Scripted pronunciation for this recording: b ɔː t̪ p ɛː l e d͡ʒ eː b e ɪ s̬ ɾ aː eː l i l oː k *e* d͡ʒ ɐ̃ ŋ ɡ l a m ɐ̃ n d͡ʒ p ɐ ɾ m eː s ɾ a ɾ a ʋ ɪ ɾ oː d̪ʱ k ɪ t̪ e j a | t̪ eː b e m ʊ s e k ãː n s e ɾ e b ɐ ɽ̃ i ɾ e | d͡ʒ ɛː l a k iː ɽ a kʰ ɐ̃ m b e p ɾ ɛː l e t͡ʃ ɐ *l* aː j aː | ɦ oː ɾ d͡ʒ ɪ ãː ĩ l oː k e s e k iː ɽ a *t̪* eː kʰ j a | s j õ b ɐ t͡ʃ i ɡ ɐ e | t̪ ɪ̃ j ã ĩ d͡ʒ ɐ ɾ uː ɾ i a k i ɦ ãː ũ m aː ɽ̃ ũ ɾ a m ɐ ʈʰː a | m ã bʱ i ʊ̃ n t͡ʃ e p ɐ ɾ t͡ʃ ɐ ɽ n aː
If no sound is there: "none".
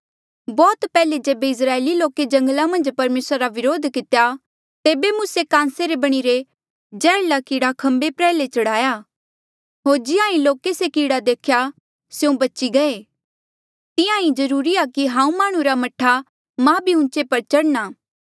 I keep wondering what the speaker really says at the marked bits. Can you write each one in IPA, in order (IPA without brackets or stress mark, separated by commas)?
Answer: e, ɽ, d̪